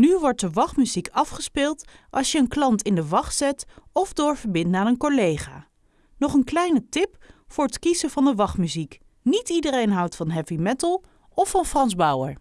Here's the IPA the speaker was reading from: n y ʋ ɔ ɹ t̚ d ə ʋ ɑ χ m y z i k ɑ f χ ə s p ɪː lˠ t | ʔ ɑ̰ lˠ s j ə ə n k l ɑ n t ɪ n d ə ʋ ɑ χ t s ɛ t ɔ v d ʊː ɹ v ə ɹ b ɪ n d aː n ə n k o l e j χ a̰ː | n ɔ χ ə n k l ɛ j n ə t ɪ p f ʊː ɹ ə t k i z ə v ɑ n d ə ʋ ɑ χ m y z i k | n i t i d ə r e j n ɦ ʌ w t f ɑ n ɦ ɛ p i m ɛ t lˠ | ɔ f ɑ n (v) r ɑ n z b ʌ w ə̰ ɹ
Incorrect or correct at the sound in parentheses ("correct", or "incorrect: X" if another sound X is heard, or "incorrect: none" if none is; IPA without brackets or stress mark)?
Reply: incorrect: f